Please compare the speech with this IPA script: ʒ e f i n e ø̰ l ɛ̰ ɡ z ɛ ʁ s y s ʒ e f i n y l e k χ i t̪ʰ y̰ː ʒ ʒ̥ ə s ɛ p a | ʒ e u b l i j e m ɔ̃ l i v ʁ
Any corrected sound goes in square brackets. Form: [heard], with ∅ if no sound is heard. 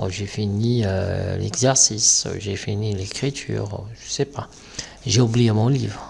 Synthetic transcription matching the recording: ʒ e f i n [i] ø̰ l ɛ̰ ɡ z ɛ ʁ s [i] s ʒ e f i n [i] l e k χ i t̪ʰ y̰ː [ʁ] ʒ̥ ə s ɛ p a | ʒ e u b l i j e m ɔ̃ l i v ʁ

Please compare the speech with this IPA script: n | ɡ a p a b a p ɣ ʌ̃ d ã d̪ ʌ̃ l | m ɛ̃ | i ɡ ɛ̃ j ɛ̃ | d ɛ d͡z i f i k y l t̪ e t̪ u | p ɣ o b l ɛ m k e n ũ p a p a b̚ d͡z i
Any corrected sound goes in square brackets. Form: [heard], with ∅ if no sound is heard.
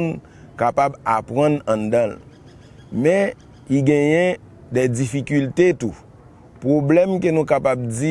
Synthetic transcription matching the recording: n | [k] a p a b a p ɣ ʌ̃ [n] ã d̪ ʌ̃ l | m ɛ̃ | i ɡ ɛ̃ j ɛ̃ | d ɛ d͡z i f i k y l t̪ e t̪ u | p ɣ o b l ɛ m k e n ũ [k] a p a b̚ d͡z i

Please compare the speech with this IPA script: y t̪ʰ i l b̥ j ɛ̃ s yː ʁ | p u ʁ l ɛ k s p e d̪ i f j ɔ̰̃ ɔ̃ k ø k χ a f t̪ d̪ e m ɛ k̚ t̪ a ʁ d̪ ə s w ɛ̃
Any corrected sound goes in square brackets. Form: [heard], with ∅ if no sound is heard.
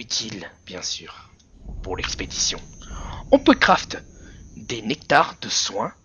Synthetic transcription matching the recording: y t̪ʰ i l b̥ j ɛ̃ s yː ʁ | p u ʁ l ɛ k s p e d̪ i [s] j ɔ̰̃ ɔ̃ [p] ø k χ a f t̪ d̪ e [n] ɛ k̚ t̪ a ʁ d̪ ə s w ɛ̃

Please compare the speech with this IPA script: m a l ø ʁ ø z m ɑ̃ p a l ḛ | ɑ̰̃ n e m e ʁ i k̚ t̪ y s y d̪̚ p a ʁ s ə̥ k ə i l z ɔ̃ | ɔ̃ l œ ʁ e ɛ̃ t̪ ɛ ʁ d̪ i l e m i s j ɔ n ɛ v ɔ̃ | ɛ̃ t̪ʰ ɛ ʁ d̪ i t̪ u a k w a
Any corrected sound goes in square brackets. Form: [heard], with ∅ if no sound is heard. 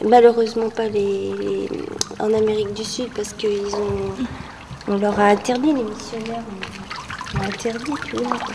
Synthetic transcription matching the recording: m a l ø ʁ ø z m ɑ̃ p a l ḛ | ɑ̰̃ n [a] m e ʁ i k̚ [d̪] y s y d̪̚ p a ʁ s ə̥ k ə i l z ɔ̃ | ɔ̃ l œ ʁ [a] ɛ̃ t̪ ɛ ʁ d̪ i l e m i s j ɔ n ɛ [ʁ] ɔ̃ | ɛ̃ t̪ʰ ɛ ʁ d̪ i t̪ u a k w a

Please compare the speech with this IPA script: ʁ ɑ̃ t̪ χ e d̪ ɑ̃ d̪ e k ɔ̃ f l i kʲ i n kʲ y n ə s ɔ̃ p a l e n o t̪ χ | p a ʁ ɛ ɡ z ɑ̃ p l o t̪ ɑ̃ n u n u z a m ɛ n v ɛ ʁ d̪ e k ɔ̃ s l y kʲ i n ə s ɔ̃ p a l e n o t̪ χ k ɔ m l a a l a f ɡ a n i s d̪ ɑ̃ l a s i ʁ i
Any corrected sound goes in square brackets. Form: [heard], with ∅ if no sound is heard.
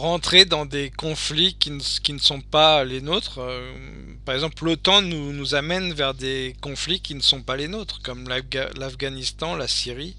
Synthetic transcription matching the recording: ʁ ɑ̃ t̪ χ e d̪ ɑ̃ d̪ e k ɔ̃ f l i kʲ i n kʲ [i] n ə s ɔ̃ p a l e n o t̪ χ | p a ʁ ɛ ɡ z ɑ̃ p l o t̪ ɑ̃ n u n u z a m ɛ n v ɛ ʁ d̪ e k ɔ̃ [f] l [i] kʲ i n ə s ɔ̃ p a l e n o t̪ χ k ɔ m l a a l a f ɡ a n i s [t̪] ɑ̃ l a s i ʁ i

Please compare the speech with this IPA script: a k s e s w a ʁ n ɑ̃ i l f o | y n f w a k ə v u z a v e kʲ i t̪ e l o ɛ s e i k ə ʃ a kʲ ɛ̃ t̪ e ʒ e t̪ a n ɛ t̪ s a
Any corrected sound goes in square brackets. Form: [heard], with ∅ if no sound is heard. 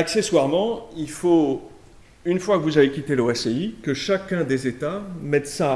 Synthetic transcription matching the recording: a k s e s w a ʁ [m] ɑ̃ i l f o | y n f w a k ə v u z a v e kʲ i t̪ e l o ɛ s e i k ə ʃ a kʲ ɛ̃ [d̪] e [z] e t̪ a [m] ɛ t̪ s a

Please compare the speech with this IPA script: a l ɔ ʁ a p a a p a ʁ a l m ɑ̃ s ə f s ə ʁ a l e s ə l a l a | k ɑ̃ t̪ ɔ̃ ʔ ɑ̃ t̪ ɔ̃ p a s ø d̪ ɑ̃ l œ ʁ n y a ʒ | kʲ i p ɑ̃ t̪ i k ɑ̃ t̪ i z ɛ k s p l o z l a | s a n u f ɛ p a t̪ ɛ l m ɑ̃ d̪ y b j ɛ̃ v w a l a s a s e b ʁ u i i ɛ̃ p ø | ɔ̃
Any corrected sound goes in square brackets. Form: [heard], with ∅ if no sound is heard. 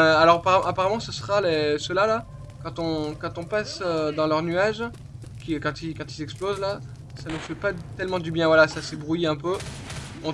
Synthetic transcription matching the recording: a l ɔ ʁ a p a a p a ʁ a [∅] m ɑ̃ s ə [∅] s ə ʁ a l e s ə l a l a | k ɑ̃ t̪ ɔ̃ [k] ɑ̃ t̪ ɔ̃ p a s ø d̪ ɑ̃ l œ ʁ n y a ʒ | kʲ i [k] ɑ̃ t̪ i k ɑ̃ t̪ i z ɛ k s p l o z l a | s a n u f ɛ p a t̪ ɛ l m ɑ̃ d̪ y b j ɛ̃ v w a l a s a s e b ʁ u [j] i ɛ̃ p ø | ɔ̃

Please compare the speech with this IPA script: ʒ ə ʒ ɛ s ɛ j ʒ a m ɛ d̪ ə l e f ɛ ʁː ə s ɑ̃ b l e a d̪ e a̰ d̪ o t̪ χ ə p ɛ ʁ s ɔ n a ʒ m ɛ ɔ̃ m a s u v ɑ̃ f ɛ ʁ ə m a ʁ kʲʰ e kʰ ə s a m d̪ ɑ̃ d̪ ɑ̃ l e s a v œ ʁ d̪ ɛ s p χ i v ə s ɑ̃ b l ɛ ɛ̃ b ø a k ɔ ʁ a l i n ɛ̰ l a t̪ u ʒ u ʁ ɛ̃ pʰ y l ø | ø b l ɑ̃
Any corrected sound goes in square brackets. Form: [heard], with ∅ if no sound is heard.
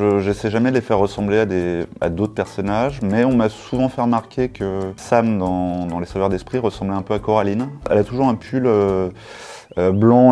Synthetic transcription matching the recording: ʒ ə ʒ ɛ s ɛ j ʒ a m ɛ d̪ ə l e f ɛ ʁː ə s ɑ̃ b l e a d̪ e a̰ d̪ o t̪ χ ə p ɛ ʁ s ɔ n a ʒ m ɛ ɔ̃ m a s u v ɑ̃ f ɛ ʁ ə m a ʁ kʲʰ e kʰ ə s a m d̪ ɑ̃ d̪ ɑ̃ l e s a v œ ʁ d̪ ɛ s p χ i [ʁ] ə s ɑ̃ b l ɛ ɛ̃ [p] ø a k ɔ ʁ a l i n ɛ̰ l a t̪ u ʒ u ʁ ɛ̃ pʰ y l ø | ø b l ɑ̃

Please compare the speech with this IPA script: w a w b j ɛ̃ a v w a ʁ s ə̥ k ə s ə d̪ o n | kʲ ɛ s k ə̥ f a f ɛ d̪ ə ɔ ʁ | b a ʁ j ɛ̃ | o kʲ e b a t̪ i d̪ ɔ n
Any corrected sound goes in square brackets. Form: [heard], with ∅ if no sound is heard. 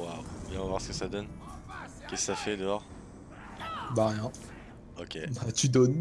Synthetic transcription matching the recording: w a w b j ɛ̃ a v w a ʁ s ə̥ k ə s [a] d̪ [ɔ] n | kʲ ɛ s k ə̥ [s] a f ɛ d̪ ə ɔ ʁ | b a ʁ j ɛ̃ | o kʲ e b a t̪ [y] d̪ ɔ n

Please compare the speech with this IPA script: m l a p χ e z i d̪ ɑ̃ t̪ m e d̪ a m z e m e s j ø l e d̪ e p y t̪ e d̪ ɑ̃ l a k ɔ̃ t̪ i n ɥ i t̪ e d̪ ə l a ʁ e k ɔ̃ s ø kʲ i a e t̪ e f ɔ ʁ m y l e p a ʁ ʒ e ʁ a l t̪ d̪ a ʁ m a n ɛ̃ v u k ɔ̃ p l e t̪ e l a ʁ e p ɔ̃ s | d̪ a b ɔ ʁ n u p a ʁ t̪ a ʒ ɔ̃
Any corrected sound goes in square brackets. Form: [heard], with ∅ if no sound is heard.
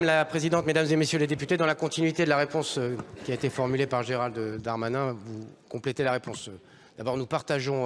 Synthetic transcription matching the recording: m l a p χ e z i d̪ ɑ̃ t̪ m e d̪ a m z e m e s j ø l e d̪ e p y t̪ e d̪ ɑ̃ l a k ɔ̃ t̪ i n ɥ i t̪ e d̪ ə l a ʁ e [p] ɔ̃ s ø kʲ i a e t̪ e f ɔ ʁ m y l e p a ʁ ʒ e ʁ a l [d̪] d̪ a ʁ m a n ɛ̃ v u k ɔ̃ p l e t̪ e l a ʁ e p ɔ̃ s | d̪ a b ɔ ʁ n u p a ʁ t̪ a ʒ ɔ̃

